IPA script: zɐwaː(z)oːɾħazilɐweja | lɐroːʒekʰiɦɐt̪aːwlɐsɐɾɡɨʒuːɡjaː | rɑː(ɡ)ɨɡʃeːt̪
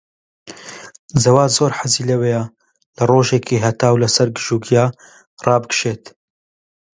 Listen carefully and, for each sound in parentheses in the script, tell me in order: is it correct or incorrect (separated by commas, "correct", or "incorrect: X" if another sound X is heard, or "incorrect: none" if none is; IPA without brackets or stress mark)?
correct, incorrect: b